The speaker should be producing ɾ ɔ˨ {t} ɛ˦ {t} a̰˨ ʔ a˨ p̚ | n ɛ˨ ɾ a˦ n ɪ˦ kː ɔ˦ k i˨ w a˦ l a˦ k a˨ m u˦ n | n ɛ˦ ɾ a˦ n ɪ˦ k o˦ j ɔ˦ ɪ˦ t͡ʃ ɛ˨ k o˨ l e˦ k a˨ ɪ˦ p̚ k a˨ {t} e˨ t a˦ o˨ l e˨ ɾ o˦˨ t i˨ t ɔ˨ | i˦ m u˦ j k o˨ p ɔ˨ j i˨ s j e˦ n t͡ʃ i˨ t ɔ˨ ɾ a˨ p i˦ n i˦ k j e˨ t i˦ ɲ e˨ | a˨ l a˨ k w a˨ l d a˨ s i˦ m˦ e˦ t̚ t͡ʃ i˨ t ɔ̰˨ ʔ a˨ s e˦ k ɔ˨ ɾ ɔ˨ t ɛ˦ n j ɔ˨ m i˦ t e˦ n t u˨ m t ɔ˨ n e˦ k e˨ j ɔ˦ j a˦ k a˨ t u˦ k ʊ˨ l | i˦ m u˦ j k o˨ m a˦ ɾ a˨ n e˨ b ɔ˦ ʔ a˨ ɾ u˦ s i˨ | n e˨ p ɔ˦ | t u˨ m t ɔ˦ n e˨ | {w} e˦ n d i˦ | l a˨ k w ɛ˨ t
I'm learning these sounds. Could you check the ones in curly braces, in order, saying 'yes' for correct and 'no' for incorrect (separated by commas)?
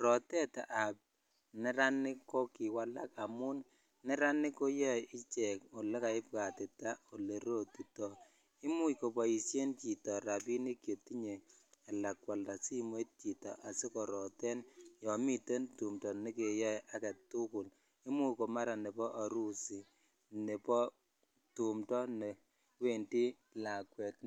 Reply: yes, yes, yes, yes